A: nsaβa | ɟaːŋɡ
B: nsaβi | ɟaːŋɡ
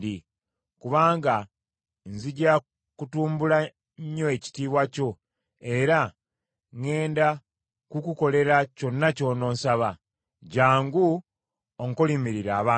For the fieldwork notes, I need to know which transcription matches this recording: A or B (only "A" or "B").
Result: A